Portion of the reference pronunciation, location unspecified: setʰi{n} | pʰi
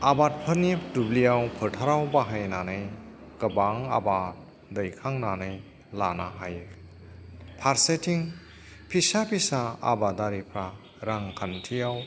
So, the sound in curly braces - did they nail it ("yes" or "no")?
no